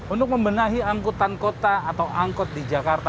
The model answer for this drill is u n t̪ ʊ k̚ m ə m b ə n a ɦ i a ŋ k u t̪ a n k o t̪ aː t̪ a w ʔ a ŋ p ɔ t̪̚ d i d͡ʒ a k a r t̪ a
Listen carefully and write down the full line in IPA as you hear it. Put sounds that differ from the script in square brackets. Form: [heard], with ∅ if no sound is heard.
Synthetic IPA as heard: u n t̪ ʊ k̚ m ə m b ə n a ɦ i a ŋ k u t̪ a n k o t̪ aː t̪ a w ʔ a ŋ [k] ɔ t̪̚ d i d͡ʒ a k a r t̪ a